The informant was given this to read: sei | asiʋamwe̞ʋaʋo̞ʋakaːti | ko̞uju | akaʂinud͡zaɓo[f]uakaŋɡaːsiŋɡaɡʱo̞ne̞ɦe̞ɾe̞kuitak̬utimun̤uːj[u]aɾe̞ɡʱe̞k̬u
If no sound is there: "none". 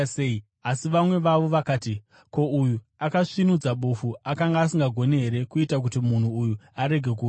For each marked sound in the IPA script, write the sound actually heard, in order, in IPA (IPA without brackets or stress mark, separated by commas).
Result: f, u